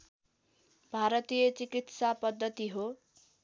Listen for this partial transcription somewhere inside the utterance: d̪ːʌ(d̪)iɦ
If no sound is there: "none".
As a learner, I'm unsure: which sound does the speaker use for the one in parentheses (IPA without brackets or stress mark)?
t̪